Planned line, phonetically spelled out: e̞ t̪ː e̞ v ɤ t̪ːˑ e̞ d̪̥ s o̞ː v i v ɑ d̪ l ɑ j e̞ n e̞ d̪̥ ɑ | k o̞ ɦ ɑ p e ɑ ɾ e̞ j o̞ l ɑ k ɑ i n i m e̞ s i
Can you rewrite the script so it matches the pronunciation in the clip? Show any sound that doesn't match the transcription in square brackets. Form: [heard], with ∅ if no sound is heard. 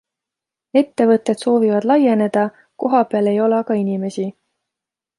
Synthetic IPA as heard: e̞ t̪ː e̞ v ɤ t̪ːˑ e̞ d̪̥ s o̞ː v i v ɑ d̪ l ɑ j e̞ n e̞ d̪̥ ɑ | k o̞ ɦ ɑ p e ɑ [l] e̞ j o̞ l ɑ k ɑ i n i m e̞ s i